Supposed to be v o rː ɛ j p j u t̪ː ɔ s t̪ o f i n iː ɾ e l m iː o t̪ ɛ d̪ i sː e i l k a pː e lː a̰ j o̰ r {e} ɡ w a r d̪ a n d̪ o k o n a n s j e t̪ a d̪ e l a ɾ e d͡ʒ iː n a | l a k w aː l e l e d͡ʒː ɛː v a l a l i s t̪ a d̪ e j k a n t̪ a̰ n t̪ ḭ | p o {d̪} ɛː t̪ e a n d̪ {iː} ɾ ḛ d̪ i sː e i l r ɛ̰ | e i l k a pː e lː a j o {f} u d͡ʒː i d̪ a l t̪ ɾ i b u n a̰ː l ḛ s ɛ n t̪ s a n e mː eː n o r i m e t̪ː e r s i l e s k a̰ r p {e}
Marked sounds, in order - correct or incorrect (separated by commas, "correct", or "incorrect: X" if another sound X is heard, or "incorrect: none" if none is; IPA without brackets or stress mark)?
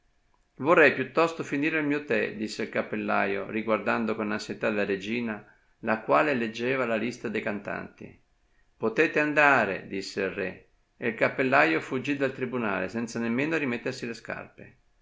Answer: incorrect: i, incorrect: t̪, incorrect: aː, correct, correct